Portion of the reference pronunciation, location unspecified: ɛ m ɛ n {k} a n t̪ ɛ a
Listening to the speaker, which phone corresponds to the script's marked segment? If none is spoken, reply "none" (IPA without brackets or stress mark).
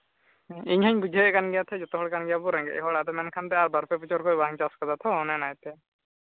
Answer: kʰ